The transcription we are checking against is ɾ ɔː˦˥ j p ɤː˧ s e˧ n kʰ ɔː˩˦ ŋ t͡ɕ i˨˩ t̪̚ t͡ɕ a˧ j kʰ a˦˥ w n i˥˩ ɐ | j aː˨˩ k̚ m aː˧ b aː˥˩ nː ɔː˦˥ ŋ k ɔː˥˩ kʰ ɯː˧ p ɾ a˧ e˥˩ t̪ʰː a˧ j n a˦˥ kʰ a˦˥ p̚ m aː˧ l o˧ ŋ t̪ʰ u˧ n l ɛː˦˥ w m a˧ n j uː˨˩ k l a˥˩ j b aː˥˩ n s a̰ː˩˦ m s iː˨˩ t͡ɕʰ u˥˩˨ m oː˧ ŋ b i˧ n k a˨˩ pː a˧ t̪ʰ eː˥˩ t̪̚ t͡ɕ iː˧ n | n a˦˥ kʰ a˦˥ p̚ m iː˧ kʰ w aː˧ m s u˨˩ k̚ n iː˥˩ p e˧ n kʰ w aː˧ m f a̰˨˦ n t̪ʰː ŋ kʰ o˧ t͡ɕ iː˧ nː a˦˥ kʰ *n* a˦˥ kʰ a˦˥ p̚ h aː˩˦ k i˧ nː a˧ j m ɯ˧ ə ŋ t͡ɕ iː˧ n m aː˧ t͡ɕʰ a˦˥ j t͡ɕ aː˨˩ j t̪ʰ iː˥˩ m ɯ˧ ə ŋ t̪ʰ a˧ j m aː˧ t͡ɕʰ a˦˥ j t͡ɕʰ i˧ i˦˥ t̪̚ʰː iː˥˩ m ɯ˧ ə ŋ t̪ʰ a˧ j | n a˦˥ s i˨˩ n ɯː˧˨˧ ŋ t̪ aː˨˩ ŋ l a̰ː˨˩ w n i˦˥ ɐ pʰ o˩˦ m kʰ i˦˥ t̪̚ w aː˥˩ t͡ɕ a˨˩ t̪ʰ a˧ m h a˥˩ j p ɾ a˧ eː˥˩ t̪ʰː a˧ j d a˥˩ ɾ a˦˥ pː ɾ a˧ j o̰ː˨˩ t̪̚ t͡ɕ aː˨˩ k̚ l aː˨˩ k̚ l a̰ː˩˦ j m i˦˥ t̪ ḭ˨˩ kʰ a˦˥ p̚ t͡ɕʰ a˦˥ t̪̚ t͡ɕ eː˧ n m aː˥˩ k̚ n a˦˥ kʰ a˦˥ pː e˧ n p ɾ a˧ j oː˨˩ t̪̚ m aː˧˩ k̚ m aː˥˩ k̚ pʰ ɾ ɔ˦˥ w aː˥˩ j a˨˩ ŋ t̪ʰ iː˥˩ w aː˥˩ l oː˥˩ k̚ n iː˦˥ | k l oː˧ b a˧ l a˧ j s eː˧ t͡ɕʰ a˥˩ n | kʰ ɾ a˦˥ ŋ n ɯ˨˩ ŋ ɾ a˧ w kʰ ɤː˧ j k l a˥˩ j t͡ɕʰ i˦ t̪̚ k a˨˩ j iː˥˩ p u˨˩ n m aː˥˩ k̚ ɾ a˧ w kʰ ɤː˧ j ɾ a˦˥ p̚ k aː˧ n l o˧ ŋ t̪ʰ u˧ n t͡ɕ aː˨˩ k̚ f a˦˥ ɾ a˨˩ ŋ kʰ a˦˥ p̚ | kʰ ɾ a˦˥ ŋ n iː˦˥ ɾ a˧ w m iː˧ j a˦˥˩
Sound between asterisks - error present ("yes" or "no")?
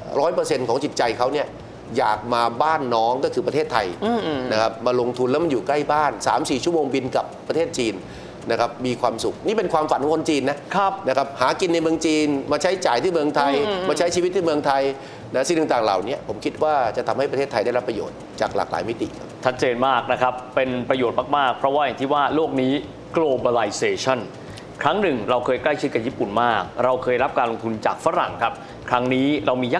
no